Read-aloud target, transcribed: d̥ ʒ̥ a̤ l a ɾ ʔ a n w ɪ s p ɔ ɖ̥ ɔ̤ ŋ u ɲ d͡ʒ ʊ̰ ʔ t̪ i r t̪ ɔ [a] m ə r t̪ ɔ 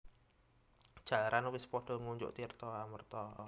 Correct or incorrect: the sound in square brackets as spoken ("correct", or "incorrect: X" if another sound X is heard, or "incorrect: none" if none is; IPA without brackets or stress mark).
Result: correct